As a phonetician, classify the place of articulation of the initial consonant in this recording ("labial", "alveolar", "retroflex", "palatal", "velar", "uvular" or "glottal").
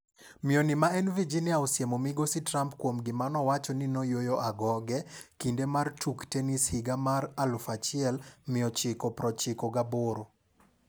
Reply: labial